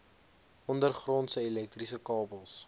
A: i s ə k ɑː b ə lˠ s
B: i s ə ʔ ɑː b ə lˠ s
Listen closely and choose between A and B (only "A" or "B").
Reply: A